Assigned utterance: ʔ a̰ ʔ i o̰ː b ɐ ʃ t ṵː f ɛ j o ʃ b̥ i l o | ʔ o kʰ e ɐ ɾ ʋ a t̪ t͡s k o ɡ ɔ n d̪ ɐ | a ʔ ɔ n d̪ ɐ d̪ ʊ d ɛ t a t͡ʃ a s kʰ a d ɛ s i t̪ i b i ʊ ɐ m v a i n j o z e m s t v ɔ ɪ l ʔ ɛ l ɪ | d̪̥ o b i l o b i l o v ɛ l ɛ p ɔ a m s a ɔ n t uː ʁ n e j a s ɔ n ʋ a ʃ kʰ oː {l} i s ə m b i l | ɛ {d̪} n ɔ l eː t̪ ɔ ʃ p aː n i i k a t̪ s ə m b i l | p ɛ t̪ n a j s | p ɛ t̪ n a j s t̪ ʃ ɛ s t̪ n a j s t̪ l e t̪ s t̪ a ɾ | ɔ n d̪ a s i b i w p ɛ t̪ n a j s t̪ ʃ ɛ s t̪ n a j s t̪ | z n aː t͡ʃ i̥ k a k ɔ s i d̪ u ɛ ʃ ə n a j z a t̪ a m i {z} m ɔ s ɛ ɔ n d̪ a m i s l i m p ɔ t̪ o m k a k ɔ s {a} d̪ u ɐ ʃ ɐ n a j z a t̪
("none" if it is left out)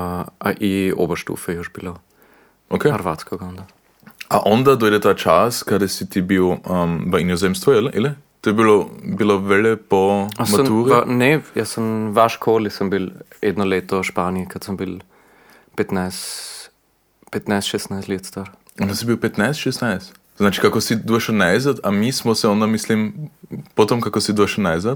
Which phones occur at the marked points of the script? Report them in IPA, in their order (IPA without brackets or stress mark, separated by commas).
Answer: l, d̪, s, i